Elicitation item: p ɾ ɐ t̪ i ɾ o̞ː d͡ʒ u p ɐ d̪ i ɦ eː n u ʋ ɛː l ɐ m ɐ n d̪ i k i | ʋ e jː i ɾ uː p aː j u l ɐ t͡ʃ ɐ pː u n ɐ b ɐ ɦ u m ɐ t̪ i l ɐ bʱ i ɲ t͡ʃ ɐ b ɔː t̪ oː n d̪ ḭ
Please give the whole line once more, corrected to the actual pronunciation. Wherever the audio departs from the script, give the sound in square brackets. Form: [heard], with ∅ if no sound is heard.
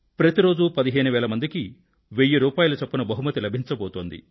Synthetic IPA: p ɾ ɐ t̪ i ɾ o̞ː d͡ʒ u p ɐ d̪ i ɦ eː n u ʋ ɛː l ɐ m ɐ n d̪ i k i | ʋ e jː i ɾ uː p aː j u l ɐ t͡ʃ ɐ pː u n ɐ b ɐ ɦ u m ɐ t̪ i l ɐ bʱ i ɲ t͡ʃ ɐ b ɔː t̪ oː n d̪ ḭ